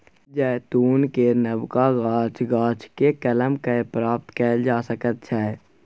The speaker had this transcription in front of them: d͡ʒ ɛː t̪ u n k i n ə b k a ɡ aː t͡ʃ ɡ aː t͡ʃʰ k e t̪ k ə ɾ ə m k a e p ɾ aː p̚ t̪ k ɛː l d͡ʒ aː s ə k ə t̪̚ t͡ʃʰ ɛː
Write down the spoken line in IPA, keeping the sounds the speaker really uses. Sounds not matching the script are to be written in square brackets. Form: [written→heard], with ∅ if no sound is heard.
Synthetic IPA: d͡ʒ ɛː t̪ [u→uː] n k [i→e] n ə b k a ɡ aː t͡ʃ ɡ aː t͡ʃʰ k e [t̪→∅] k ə [ɾ→l] ə m k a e p ɾ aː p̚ t̪ k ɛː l d͡ʒ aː s ə k ə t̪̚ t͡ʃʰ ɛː